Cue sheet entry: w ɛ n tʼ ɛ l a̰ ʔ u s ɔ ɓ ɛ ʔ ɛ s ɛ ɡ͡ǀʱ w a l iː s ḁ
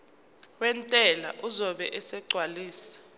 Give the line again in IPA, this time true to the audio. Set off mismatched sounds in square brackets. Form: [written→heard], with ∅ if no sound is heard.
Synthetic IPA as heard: w ɛ n tʼ ɛ l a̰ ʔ u [s→z] ɔ ɓ ɛ ʔ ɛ s ɛ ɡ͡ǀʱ w a l iː s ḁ